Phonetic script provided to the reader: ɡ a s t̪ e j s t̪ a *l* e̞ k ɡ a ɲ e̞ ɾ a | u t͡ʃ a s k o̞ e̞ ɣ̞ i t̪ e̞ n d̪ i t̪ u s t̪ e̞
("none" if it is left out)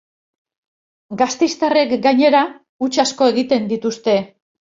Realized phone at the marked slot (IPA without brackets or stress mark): r